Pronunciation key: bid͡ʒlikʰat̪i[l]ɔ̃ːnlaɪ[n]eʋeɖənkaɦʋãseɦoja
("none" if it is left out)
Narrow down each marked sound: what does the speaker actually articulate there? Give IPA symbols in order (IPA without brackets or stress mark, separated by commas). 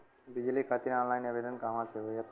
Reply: ɾ, n